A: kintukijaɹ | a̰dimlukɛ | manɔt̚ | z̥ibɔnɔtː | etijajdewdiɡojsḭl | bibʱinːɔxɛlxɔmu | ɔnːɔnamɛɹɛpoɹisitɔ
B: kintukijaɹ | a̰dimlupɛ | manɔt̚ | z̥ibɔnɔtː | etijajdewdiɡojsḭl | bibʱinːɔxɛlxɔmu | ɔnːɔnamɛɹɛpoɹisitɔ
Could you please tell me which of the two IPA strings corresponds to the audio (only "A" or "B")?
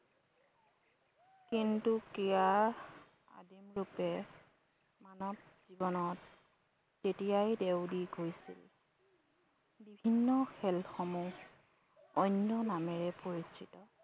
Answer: B